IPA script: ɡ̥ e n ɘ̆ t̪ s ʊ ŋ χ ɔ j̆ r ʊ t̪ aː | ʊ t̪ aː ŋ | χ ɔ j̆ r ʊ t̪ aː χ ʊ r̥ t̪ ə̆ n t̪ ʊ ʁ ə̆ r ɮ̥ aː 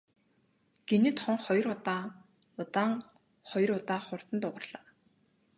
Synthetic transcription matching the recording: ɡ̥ e n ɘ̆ t̪ χ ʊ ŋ χ ɔ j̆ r ʊ t̪ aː | ʊ t̪ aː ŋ | χ ɔ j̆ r ʊ t̪ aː χ ʊ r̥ t̪ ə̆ n t̪ ʊ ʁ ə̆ r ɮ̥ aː